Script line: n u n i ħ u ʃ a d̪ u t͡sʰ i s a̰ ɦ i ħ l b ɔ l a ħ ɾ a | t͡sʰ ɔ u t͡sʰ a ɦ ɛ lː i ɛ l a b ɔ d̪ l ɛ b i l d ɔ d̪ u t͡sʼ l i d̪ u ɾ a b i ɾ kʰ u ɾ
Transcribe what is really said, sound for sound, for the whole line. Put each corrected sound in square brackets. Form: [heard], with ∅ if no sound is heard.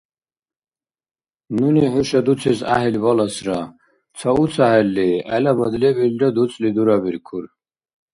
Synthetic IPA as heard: n u n i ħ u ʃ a d̪ u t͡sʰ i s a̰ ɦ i [∅] l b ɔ l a [s] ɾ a | t͡sʰ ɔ u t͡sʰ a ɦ ɛ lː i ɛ l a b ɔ d̪ l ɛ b i l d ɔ d̪ u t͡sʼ l i d̪ u ɾ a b i ɾ kʰ u ɾ